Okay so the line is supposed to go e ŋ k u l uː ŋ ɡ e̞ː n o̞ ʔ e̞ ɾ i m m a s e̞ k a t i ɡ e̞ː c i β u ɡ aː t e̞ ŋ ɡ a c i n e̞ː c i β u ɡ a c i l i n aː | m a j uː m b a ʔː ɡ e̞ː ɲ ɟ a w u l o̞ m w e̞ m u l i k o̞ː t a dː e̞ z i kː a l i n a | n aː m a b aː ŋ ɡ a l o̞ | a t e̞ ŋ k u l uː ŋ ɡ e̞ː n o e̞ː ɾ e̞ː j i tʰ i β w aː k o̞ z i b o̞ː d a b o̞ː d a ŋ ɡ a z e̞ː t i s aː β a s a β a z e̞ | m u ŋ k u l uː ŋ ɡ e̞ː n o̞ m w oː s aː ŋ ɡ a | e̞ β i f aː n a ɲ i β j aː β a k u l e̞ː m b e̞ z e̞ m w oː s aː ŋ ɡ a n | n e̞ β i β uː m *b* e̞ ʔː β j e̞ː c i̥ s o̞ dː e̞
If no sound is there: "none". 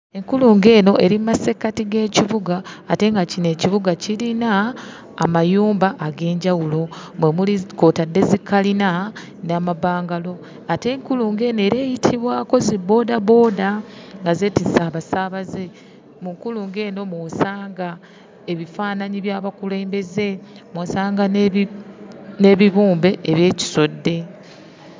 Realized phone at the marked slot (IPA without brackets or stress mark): b